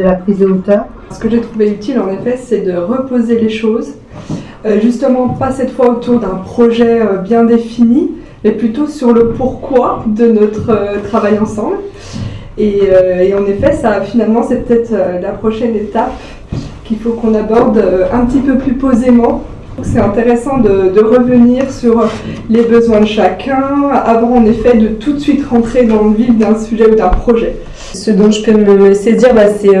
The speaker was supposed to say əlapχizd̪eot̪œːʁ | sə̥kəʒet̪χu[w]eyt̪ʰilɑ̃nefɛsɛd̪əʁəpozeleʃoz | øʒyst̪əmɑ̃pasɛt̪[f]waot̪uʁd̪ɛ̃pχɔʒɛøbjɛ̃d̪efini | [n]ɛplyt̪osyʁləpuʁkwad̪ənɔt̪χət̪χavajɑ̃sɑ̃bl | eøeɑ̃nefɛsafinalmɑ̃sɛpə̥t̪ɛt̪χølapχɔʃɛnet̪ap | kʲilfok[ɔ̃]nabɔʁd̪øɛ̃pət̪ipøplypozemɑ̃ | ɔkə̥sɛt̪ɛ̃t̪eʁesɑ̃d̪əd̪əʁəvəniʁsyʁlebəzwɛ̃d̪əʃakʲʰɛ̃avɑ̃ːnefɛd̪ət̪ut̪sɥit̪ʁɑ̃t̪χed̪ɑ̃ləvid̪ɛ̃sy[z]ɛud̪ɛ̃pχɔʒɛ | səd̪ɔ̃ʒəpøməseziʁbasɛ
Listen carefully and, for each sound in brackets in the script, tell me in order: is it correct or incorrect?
incorrect: v, correct, incorrect: m, correct, incorrect: ʒ

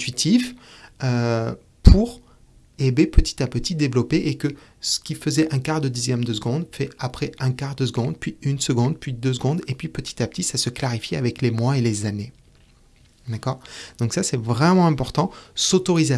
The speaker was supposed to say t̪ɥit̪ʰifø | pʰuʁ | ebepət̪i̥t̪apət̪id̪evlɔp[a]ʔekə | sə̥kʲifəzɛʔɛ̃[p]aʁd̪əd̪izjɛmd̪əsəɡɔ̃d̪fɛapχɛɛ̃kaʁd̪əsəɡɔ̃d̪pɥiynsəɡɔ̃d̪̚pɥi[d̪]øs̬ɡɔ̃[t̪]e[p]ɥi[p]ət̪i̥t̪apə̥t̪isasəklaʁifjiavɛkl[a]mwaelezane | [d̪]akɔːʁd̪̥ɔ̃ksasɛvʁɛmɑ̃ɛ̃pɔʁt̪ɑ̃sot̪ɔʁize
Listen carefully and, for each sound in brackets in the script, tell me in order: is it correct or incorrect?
incorrect: e, incorrect: k, correct, incorrect: d̪, correct, correct, incorrect: e, correct

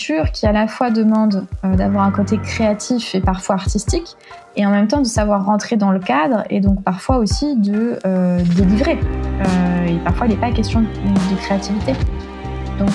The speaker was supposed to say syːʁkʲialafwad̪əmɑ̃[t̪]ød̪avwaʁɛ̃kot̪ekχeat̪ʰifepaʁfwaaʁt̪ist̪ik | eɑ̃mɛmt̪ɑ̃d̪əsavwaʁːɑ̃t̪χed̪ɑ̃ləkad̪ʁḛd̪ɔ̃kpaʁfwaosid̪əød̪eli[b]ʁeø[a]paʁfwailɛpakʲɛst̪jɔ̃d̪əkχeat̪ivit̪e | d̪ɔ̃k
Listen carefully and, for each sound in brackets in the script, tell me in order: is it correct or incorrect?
incorrect: d̪, incorrect: v, incorrect: e

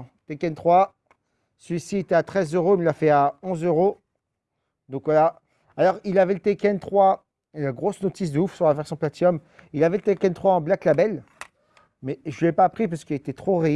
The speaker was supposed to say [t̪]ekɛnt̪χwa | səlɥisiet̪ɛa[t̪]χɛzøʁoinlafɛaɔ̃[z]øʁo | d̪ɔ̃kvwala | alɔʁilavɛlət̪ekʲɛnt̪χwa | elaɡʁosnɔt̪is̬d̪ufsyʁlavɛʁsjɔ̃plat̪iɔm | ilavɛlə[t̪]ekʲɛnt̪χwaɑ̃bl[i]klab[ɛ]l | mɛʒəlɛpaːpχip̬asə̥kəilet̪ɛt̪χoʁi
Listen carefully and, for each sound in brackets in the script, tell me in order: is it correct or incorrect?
correct, correct, correct, correct, incorrect: a, correct

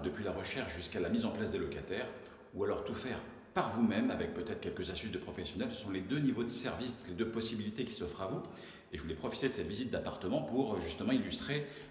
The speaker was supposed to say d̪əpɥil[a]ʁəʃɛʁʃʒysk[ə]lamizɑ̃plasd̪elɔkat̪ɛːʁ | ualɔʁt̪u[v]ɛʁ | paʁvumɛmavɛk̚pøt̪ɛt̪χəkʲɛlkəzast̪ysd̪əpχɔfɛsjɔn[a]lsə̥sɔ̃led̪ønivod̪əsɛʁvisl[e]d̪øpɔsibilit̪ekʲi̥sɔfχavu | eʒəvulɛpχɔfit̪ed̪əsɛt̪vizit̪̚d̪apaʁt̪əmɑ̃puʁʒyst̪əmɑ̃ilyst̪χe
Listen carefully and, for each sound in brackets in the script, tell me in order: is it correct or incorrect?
correct, incorrect: a, incorrect: f, incorrect: ɛ, correct

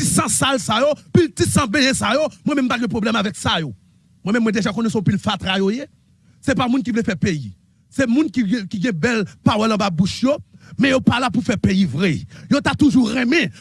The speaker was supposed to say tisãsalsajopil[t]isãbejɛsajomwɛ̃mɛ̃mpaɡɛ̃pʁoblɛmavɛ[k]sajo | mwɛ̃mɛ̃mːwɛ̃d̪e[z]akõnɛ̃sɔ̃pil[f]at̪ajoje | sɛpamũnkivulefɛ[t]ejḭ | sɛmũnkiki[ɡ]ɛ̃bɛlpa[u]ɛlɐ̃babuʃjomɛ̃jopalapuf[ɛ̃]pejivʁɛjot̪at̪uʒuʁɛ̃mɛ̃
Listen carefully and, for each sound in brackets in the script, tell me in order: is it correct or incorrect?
correct, correct, incorrect: ʒ, correct, incorrect: p, correct, incorrect: w, incorrect: ɛ

